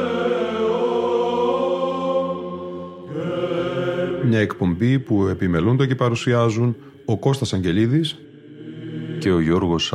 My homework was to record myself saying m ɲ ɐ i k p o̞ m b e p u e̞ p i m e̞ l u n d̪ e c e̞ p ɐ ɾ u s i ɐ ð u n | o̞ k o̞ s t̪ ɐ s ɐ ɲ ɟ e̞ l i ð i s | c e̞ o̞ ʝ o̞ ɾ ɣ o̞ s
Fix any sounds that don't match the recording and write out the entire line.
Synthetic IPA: m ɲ ɐ e k p o̞ m b i p u e̞ p i m e̞ l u n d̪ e c e̞ p ɐ ɾ u s i ɐ z u n | o̞ k o̞ s t̪ ɐ s ɐ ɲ ɟ e̞ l i ð i s | c e̞ o̞ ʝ o̞ ɾ ɣ o̞ s